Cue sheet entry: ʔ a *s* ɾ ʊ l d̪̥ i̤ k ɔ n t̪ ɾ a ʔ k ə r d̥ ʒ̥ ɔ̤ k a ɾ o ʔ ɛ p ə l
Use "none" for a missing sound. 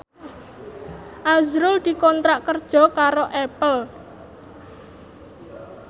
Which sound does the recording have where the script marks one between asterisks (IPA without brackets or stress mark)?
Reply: z